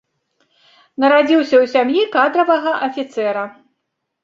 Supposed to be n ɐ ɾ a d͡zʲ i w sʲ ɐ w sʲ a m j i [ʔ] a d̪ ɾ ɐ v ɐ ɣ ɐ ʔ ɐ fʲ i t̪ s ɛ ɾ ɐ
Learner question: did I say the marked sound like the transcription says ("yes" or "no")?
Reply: no